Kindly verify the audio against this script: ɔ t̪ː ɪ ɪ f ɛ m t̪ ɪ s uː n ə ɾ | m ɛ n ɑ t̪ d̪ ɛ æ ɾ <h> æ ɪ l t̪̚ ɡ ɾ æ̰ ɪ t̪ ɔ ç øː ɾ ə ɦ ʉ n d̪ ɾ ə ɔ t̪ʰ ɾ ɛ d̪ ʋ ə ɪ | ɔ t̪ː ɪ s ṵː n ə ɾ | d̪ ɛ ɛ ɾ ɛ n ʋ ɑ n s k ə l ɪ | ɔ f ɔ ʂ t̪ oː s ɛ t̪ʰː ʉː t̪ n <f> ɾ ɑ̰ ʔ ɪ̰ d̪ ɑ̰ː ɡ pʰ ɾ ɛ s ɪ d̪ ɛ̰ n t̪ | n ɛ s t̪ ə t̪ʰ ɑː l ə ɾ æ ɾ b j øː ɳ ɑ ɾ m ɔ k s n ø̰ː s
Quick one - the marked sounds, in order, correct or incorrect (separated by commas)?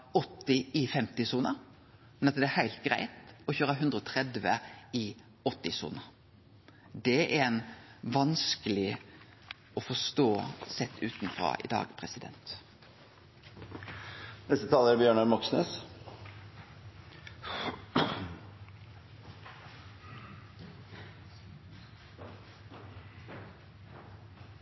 correct, correct